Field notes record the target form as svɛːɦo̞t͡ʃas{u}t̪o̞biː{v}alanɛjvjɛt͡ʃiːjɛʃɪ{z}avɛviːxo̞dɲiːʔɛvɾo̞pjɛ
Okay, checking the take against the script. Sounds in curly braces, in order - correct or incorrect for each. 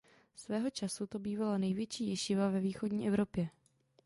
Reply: correct, correct, incorrect: v

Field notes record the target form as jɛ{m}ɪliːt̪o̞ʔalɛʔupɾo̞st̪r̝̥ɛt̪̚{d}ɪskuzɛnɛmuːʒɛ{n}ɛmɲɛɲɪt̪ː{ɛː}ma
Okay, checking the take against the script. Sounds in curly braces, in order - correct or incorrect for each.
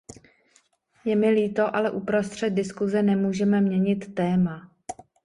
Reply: correct, correct, incorrect: m, correct

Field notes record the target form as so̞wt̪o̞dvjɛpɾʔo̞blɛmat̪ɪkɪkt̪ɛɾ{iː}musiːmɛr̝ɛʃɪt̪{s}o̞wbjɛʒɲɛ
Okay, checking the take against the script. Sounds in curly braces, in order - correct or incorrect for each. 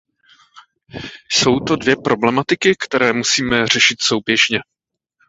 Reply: incorrect: ɛː, correct

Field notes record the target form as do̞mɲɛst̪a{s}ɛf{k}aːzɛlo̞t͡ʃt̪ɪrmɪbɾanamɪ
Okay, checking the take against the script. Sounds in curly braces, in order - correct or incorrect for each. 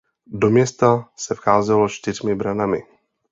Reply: correct, incorrect: x

